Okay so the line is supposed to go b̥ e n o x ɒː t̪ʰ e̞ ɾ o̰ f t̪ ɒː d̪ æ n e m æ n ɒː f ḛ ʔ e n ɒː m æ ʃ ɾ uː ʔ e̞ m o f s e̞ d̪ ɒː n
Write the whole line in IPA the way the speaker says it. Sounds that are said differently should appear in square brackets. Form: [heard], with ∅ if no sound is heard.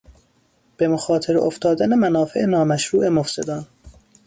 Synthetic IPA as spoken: b̥ e [m] o x ɒː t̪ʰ e̞ ɾ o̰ f t̪ ɒː d̪ æ n e m æ n ɒː f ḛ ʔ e n ɒː m æ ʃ ɾ uː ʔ e̞ m o f s e̞ d̪ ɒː n